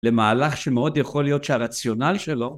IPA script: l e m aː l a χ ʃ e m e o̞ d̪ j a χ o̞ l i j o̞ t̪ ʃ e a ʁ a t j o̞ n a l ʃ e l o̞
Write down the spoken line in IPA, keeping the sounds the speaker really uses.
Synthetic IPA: l e m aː l a χ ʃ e m e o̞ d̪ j a χ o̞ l i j o̞ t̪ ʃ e a ʁ a t͡s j o̞ n a l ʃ e l o̞